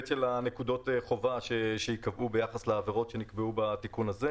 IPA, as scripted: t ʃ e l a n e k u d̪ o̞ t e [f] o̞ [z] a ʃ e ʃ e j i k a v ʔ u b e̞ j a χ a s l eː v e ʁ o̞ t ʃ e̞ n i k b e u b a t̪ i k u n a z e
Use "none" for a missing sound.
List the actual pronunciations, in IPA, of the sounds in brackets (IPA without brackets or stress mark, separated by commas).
χ, v